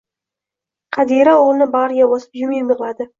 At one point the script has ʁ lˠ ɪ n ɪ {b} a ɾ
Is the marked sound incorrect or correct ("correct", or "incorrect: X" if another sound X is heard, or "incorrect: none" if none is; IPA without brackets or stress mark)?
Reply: correct